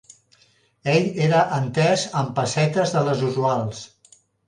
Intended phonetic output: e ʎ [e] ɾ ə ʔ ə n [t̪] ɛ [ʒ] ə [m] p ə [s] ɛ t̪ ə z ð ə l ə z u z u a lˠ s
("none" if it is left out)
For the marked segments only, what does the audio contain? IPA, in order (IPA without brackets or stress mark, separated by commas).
e, t̪, z, m, s